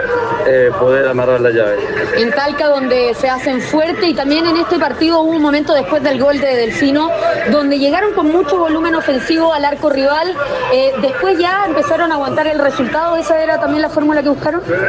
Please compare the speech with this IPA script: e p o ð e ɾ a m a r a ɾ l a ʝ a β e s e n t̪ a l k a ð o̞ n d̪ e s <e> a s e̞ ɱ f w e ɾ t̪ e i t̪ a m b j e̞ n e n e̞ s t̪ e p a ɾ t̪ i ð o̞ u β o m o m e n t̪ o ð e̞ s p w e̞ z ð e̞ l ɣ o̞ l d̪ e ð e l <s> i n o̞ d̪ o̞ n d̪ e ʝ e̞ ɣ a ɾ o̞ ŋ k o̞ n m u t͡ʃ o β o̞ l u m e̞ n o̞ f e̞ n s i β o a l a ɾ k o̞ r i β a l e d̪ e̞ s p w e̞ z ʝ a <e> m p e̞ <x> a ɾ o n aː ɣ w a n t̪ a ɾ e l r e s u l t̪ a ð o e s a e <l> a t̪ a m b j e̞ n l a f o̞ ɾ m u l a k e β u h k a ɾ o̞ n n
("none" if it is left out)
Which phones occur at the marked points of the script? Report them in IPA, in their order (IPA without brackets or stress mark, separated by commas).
e, f, e, s, ɾ